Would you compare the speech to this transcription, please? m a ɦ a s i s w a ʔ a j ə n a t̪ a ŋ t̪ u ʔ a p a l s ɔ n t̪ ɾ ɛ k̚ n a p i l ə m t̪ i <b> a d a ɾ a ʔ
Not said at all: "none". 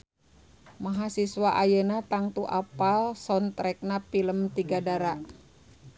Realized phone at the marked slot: ɡ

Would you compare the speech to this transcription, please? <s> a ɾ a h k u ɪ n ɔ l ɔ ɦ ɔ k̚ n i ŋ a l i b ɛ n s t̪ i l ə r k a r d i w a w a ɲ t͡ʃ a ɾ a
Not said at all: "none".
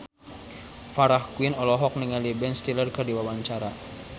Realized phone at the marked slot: f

